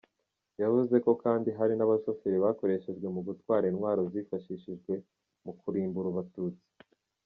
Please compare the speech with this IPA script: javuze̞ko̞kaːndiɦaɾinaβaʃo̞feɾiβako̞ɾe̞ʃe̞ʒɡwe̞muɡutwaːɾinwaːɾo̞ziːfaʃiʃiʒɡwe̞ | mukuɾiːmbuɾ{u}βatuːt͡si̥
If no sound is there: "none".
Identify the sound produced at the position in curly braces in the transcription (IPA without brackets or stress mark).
u